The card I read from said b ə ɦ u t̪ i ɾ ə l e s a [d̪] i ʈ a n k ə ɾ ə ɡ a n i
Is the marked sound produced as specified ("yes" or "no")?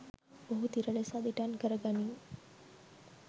yes